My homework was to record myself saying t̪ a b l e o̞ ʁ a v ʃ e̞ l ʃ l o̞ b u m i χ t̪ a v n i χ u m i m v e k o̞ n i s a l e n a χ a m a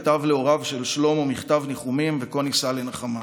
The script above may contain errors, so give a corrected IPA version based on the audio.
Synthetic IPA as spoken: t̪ a v l e o̞ ʁ a v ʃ e̞ l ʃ l o̞ m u m i χ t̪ a v n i χ u m i m v e k o̞ n i s a l e n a χ a m a